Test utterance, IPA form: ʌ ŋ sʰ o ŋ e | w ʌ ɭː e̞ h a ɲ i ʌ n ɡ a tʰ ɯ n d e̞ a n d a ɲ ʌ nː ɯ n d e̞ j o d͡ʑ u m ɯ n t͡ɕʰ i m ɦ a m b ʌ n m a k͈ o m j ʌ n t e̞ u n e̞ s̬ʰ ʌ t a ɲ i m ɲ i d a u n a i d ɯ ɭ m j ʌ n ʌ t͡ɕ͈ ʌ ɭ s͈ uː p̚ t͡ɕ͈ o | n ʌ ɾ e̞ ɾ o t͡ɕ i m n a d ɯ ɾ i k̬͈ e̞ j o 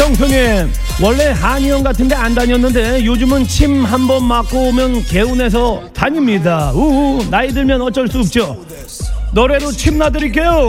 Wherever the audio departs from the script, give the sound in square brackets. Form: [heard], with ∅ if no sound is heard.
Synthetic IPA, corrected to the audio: ʌ ŋ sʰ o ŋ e | w ʌ ɭː e̞ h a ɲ i ʌ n ɡ a tʰ ɯ n d e̞ a n d a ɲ ʌ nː ɯ n d e̞ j o d͡ʑ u m ɯ n t͡ɕʰ i m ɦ a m b ʌ n m a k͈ o m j ʌ n [k] e̞ u n e̞ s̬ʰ ʌ t a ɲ i m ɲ i d a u n a i d ɯ ɭ m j ʌ n ʌ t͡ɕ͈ ʌ ɭ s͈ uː p̚ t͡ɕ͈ o | n ʌ ɾ e̞ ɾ o [t͡ɕʰ] i m n a d ɯ ɾ i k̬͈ e̞ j o